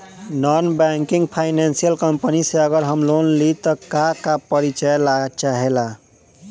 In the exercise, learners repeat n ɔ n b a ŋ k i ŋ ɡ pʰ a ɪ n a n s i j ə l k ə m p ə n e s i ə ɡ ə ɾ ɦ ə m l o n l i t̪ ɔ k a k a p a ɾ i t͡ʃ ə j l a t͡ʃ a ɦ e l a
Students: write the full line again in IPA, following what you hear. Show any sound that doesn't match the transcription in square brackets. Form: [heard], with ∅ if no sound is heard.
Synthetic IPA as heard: n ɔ n b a ŋ k i ŋ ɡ pʰ a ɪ n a n s i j ə l k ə m p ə n [i] s [e] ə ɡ ə ɾ ɦ ə m l o n l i t̪ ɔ k a k a p [ə] ɾ i t͡ʃ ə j l a t͡ʃ a ɦ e l a